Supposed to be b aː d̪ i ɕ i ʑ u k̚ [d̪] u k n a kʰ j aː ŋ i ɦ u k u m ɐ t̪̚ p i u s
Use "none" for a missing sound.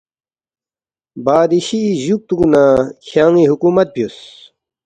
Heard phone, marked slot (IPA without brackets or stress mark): t̪